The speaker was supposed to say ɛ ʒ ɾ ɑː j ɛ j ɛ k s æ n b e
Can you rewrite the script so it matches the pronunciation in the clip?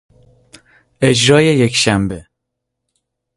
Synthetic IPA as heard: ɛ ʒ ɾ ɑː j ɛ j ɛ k ʃ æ m b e